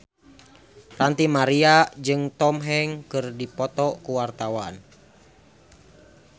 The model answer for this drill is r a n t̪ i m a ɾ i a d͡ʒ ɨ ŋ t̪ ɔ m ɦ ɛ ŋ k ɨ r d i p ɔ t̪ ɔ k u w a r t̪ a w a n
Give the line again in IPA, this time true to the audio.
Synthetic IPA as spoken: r a n t̪ i m a ɾ i a d͡ʒ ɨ ŋ t̪ ɔ m ɦ ɛ ŋ k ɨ r d i p ɔ t̪ ɔ k u w a r t̪ a w a n